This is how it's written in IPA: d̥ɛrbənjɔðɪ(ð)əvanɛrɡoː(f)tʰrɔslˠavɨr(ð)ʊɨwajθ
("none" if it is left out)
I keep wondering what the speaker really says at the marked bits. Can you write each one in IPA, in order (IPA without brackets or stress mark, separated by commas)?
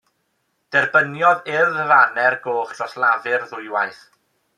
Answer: ð, χ, ð